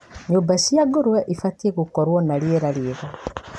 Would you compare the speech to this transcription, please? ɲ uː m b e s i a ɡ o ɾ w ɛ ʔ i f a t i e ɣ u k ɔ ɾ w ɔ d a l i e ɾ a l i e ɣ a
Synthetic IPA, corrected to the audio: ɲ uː m b a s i a ɡ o ɾ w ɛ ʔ i f a t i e ɣ u k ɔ ɾ w ɔ n a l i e ɾ a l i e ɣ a